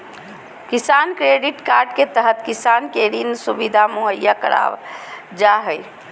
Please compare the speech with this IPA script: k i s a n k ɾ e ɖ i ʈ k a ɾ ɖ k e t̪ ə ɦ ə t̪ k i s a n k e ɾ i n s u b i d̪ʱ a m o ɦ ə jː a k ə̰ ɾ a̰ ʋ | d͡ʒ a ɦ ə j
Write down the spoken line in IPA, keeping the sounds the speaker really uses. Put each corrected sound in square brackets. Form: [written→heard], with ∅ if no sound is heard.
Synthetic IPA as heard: k i s a n k ɾ e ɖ i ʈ k a ɾ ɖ k e t̪ ə ɦ ə t̪ k i s a n k e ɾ i n s u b i d̪ʱ a m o ɦ ə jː a k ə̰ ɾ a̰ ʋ | d͡ʒ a ɦ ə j